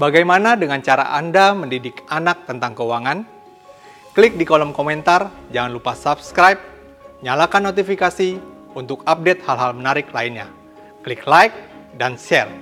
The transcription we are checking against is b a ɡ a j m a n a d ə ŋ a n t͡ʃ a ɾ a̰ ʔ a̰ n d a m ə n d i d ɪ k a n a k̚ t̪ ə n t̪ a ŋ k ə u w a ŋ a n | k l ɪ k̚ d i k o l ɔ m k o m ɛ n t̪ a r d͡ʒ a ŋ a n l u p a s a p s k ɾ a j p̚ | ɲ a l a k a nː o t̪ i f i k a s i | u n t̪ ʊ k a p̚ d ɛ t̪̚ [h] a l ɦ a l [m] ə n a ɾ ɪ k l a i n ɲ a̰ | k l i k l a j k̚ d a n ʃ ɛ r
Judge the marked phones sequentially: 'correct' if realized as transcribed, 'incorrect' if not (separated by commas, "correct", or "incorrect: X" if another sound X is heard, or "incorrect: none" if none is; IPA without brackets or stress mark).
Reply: correct, correct